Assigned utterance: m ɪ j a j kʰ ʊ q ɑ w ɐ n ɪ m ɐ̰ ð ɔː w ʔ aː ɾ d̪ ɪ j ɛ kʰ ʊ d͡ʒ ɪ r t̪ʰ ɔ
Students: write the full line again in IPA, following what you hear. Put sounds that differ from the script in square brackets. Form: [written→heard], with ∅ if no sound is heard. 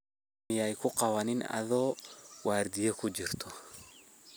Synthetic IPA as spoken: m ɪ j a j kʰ ʊ q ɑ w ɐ n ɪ [m→n] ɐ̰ ð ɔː w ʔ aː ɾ d̪ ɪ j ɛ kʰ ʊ d͡ʒ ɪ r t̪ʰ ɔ